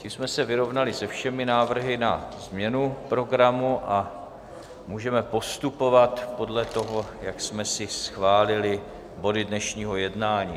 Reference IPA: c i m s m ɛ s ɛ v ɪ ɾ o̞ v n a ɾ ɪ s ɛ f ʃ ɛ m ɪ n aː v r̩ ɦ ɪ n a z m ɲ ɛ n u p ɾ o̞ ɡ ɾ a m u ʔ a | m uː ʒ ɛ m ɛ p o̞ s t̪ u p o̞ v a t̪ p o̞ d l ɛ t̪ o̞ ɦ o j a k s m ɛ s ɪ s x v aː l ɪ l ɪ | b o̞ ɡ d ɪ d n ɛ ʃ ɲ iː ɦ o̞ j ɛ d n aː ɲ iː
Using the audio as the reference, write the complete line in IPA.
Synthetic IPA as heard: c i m s m ɛ s ɛ v ɪ ɾ o̞ v n a l ɪ s ɛ f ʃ ɛ m ɪ n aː v r̩ ɦ ɪ n a z m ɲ ɛ n u p ɾ o̞ ɡ ɾ a m u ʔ a | m uː ʒ ɛ m ɛ p o̞ s t̪ u p o̞ v a t̪ p o̞ d l ɛ t̪ o̞ ɦ o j a k s m ɛ s ɪ s x v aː l ɪ l ɪ | b o̞ d ɪ d n ɛ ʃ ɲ iː ɦ o̞ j ɛ d n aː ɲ iː